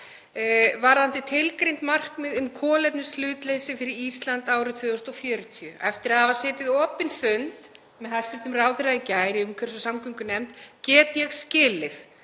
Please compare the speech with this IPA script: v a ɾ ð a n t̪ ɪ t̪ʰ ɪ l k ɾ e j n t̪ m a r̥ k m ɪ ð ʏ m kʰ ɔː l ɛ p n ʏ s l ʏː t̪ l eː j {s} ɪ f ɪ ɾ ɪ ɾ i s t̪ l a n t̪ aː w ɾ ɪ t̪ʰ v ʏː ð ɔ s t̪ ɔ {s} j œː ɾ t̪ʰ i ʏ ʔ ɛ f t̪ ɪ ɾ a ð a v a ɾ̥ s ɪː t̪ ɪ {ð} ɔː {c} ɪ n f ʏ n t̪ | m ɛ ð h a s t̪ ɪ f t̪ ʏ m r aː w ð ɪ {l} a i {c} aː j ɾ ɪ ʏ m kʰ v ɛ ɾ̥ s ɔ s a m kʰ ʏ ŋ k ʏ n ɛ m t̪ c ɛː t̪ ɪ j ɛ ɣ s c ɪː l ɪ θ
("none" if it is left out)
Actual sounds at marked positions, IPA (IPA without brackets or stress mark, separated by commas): s, f, ð, p, ɾ, c